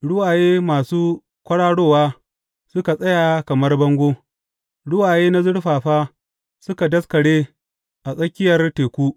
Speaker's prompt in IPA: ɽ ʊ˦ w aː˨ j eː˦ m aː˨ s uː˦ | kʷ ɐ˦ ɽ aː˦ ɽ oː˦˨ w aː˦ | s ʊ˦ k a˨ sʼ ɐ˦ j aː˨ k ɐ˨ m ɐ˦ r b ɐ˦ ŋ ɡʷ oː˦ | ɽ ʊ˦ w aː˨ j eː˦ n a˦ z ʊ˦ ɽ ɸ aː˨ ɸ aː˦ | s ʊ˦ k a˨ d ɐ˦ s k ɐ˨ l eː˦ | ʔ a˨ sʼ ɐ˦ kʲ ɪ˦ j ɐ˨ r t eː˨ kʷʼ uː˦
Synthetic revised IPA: ɽ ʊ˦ w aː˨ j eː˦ m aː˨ s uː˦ | kʷ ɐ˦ ɽ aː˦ ɽ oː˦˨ w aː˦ | s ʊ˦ k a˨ sʼ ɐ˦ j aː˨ k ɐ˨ m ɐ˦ r b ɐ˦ ŋ ɡʷ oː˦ | ɽ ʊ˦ w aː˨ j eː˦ n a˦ z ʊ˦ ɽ ɸ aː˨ ɸ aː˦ | s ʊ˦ k a˨ d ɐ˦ s k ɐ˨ ɽ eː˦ | ʔ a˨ sʼ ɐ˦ kʲ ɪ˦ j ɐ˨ r t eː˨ kʷ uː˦